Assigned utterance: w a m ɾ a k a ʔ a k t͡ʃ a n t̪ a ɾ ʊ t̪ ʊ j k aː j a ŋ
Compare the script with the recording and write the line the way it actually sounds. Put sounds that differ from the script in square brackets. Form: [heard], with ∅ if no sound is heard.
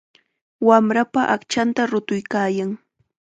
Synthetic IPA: w a m ɾ a [p] a ʔ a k t͡ʃ a n t̪ a ɾ ʊ t̪ ʊ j k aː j a ŋ